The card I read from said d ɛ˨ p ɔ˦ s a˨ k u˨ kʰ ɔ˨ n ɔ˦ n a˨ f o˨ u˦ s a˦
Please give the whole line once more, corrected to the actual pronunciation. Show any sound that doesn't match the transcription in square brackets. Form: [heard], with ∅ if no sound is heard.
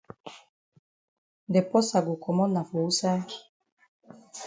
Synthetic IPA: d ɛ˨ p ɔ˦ s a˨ [ɡ] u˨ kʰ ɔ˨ [m] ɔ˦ n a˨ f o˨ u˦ s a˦